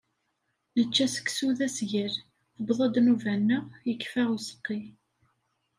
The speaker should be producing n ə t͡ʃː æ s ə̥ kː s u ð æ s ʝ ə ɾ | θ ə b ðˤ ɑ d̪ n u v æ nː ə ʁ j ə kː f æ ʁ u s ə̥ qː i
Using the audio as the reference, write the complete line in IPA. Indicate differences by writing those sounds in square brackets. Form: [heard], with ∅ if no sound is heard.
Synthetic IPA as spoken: n ə t͡ʃː æ s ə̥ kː s u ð æ s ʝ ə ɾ | θ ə b ðˤ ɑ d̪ n u v æ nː ə ʁ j ə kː f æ ʁ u s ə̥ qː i